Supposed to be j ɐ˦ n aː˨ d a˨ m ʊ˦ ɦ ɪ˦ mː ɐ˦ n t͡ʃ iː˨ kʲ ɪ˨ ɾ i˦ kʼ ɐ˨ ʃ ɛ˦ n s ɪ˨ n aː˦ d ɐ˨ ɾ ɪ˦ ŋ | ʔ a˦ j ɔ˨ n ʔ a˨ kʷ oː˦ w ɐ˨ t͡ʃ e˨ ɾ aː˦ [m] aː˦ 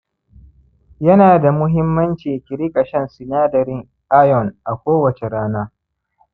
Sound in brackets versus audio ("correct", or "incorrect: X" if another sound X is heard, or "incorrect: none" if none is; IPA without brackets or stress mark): incorrect: n